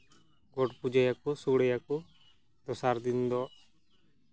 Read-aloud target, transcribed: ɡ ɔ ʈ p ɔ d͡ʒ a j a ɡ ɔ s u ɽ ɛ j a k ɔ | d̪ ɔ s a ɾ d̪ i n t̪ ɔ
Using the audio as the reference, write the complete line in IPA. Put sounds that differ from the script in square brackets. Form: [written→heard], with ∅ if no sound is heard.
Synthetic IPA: ɡ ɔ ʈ p [ɔ→u] d͡ʒ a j a [ɡ→k] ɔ s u ɽ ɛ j a k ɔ | d̪ ɔ s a ɾ d̪ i n [t̪→d̪] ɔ